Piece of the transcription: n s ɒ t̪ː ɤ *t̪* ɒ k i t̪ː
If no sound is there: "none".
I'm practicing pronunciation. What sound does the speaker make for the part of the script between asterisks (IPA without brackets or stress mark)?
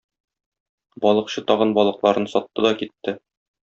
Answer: d̪